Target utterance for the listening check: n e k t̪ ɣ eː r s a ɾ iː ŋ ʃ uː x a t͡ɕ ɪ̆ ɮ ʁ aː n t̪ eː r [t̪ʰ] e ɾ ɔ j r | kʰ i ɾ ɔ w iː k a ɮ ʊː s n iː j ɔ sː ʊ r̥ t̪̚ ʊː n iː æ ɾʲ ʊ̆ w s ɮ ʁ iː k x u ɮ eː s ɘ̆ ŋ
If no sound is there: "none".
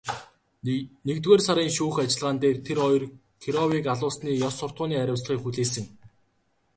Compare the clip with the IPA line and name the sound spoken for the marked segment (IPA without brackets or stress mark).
t̪ʰ